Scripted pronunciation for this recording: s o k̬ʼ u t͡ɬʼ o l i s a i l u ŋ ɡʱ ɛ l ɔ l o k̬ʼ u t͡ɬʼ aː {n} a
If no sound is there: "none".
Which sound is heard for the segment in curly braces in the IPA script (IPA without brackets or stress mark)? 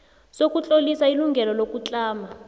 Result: m